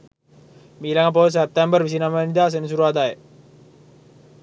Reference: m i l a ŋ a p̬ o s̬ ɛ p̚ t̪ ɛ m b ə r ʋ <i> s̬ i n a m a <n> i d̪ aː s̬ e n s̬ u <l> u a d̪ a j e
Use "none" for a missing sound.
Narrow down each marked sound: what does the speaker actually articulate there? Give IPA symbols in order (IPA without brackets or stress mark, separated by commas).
i, n, ɾ